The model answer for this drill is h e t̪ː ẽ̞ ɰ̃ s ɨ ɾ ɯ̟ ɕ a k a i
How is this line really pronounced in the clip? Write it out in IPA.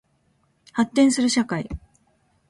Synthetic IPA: h a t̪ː ẽ̞ ɰ̃ s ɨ ɾ ɯ̟ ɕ a k a i

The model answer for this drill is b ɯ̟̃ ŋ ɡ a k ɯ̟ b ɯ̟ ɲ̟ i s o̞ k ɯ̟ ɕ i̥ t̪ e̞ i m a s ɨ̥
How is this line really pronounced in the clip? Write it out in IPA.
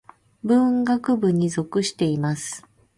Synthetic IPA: b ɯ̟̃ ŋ ɡ a k ɯ̟ b ɯ̟ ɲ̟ i z o̞ k ɯ̟ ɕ i̥ t̪ e̞ i m a s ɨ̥

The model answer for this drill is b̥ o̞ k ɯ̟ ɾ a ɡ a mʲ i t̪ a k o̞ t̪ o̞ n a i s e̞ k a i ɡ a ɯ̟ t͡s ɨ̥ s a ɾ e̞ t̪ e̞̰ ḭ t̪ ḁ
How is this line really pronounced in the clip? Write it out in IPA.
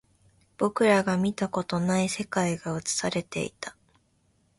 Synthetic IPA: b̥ o̞ k ɯ̟ ɾ a ɡ a mʲ i t̪ a k o̞ t̪ o̞ n a i s e̞ k a i ɡ a ɯ̟ t͡s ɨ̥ s a ɾ e̞ t̪ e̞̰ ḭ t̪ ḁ

